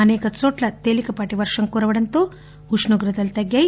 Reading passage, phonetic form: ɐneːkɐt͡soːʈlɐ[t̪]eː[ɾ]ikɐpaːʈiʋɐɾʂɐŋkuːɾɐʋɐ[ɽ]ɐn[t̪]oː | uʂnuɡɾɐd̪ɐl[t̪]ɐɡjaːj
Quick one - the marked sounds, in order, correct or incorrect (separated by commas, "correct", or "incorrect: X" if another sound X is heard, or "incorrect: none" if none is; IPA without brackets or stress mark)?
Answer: correct, incorrect: l, correct, correct, correct